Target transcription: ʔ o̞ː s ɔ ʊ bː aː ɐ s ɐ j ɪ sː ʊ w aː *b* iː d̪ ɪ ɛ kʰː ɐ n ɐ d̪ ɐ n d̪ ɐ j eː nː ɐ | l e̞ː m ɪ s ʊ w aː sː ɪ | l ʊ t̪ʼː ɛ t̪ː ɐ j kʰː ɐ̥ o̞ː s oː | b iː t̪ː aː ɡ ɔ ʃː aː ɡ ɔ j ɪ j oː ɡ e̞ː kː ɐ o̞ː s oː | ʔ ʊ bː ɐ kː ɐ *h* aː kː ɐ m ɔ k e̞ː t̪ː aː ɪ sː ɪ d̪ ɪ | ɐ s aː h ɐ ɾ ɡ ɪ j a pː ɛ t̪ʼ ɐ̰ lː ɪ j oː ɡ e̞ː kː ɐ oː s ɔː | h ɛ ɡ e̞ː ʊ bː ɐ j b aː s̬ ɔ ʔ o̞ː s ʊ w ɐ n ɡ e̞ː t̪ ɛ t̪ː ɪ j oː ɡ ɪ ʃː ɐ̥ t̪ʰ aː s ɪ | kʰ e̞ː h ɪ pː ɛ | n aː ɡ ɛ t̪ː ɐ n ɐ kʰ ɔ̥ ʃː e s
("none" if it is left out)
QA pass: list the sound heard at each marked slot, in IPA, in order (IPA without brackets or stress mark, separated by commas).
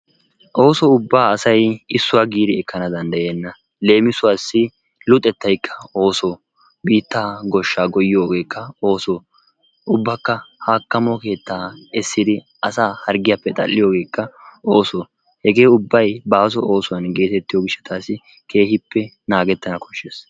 ɡ, h